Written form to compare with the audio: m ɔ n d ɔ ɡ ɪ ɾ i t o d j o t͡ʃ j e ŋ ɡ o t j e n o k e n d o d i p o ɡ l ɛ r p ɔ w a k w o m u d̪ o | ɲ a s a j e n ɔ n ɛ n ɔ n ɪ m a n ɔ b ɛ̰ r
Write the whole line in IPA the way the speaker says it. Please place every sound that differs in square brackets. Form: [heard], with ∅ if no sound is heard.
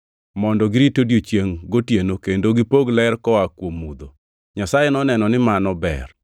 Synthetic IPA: m ɔ n d ɔ ɡ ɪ ɾ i t o d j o t͡ʃ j e ŋ ɡ o t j e n o k e n d o [ɡ] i p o ɡ l ɛ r [k] ɔ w a k w o m u d̪ o | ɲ a s a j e n ɔ n ɛ n ɔ n ɪ m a n ɔ b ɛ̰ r

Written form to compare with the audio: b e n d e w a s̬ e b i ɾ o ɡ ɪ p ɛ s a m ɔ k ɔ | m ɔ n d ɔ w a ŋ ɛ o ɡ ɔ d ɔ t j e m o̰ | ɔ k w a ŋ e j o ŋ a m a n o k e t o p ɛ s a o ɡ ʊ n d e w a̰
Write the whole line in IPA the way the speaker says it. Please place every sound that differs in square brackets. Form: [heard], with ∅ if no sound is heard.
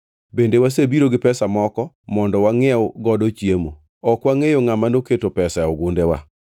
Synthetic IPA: b e n d e w a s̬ e b i ɾ o ɡ ɪ p ɛ s a m ɔ k ɔ | m ɔ n d ɔ w a ŋ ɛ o ɡ ɔ d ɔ [t͡ʃ] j e m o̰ | ɔ k w a ŋ e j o ŋ a m a n o k e t o p ɛ s a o ɡ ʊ n d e w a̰

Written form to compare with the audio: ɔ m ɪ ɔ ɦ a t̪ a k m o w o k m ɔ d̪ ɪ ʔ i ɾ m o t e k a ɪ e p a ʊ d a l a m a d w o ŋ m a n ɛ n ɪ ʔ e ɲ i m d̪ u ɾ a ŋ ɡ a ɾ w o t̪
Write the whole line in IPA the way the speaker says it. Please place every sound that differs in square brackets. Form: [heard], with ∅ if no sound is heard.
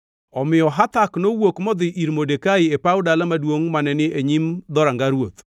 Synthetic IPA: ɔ m ɪ ɔ ɦ a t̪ a k [n] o w o k m ɔ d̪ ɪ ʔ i ɾ m o [d] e k a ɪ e p a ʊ d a l a m a d w o ŋ m a n ɛ n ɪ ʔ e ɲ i m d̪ [ɔ] ɾ a ŋ ɡ a ɾ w o t̪

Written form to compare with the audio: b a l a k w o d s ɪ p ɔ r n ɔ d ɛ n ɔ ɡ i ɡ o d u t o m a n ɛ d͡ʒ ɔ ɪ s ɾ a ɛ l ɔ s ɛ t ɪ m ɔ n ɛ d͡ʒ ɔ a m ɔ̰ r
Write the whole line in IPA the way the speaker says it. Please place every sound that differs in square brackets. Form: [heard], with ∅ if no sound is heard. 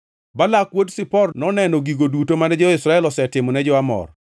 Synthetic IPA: b a l a k w o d s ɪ p ɔ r n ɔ [n] ɛ n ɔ ɡ i ɡ o d u t o m a n ɛ d͡ʒ ɔ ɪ s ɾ a ɛ l ɔ s ɛ t ɪ m ɔ n ɛ d͡ʒ ɔ a m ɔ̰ r

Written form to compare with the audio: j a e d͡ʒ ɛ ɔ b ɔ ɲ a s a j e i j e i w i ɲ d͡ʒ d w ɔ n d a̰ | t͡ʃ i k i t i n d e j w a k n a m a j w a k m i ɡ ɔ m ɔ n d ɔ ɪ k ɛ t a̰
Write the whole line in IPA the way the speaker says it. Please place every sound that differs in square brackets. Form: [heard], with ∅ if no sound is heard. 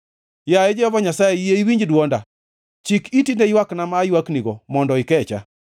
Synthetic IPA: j a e d͡ʒ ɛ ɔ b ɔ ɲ a s a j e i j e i w i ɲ d͡ʒ d w ɔ n d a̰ | t͡ʃ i k i t i n d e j w a k n a m a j w a k [n] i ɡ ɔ m ɔ n d ɔ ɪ k ɛ [t͡ʃ] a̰

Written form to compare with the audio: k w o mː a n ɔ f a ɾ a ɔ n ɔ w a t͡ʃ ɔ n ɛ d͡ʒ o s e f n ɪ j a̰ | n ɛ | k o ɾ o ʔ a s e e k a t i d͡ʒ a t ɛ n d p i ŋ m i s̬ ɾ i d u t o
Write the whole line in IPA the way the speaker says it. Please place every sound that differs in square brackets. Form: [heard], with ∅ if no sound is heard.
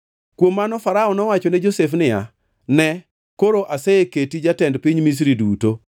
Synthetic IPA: k w o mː a n ɔ f a ɾ a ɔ n ɔ w a t͡ʃ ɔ n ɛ d͡ʒ o s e f n ɪ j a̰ | n ɛ | k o ɾ o ʔ a s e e k [e] t i d͡ʒ a t ɛ n d p i [ɲ] m i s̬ ɾ i d u t o

